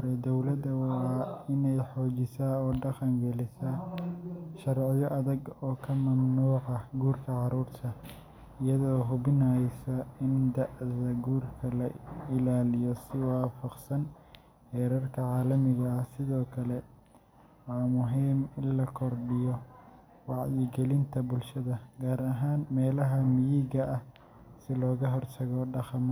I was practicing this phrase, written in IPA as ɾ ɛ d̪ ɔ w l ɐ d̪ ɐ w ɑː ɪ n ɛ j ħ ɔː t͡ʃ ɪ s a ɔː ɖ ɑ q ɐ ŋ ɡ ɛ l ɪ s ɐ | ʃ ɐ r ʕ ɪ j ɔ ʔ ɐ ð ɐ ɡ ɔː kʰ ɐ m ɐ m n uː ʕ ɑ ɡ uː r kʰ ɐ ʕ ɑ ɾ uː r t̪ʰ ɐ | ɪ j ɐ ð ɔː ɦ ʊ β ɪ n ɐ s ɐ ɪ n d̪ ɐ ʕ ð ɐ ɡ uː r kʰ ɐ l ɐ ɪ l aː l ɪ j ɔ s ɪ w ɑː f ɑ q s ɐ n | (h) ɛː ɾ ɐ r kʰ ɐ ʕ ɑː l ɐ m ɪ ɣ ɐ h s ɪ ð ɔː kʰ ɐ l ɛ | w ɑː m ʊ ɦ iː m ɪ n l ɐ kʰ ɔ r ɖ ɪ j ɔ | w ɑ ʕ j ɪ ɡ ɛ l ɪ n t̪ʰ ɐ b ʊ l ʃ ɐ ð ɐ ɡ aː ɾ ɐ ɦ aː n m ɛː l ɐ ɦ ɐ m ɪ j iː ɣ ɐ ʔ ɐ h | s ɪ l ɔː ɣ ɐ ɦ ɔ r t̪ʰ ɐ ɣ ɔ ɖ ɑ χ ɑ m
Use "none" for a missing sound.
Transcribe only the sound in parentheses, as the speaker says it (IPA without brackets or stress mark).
h